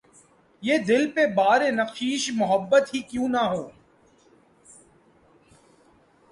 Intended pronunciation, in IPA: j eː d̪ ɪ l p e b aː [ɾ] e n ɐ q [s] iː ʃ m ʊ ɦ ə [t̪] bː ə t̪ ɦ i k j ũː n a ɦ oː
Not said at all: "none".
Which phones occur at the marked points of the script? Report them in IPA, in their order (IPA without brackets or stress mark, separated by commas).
ɾ, ʃ, none